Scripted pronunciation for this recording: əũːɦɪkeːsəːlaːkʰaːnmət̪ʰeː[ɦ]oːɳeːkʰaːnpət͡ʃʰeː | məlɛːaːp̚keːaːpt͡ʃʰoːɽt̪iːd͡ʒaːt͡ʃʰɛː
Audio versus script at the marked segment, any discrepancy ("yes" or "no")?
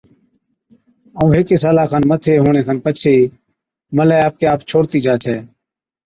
no